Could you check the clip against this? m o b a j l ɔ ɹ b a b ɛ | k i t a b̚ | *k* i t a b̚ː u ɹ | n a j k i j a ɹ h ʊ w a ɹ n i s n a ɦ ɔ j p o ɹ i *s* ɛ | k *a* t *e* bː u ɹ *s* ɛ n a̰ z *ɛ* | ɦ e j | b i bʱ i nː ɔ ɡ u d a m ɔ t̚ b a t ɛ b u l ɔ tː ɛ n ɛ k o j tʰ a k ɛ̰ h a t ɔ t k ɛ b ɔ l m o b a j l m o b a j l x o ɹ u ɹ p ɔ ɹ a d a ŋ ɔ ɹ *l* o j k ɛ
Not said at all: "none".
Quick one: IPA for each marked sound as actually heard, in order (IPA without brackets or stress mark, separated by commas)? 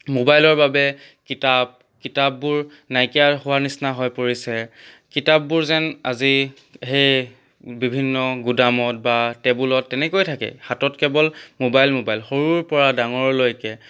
k, s, i, a, z, i, l